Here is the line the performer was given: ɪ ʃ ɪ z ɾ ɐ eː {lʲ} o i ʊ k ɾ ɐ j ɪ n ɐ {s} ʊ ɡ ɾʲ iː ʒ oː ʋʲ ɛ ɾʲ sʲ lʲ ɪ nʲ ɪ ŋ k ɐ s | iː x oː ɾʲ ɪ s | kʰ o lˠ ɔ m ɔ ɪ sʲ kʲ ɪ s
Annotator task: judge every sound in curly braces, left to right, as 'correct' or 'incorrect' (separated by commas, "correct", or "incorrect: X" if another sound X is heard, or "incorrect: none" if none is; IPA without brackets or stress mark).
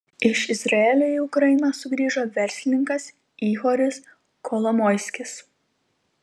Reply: correct, correct